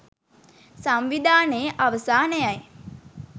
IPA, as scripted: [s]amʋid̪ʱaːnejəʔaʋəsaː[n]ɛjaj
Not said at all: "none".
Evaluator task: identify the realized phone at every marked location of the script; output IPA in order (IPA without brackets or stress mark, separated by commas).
s, n